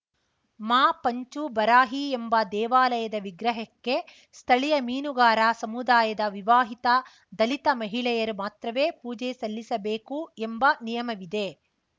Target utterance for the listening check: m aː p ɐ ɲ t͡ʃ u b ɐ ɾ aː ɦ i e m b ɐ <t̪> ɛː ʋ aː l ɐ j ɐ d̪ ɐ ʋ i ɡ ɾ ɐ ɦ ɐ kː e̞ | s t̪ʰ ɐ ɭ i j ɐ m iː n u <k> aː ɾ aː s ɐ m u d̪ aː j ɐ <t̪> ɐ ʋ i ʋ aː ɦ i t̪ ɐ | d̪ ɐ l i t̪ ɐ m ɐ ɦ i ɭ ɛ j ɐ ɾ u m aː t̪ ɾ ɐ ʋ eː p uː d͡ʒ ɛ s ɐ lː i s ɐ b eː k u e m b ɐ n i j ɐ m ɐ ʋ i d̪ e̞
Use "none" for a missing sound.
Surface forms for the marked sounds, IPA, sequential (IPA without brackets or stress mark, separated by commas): d̪, ɡ, d̪